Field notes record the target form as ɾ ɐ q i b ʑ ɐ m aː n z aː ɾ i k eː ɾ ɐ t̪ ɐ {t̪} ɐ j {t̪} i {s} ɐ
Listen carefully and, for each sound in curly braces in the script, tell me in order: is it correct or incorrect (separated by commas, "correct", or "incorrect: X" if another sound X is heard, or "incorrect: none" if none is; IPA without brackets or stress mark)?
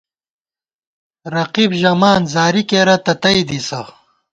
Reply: correct, incorrect: d̪, correct